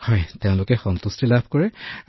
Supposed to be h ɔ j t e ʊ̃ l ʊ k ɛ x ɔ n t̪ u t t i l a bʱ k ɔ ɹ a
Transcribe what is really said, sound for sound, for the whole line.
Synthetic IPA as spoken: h ɔ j t e ʊ̃ l ʊ k ɛ x ɔ n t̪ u s t i l a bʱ k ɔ ɹ ɛ

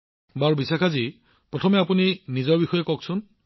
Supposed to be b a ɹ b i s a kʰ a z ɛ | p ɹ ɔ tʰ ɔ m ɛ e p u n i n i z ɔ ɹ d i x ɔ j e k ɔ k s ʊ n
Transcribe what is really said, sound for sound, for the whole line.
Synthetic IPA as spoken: b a ɹ b i s a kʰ a z i | p ɹ ɔ tʰ ɔ m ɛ a p u n i n i z ɔ ɹ b i x ɔ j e k ɔ k s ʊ n

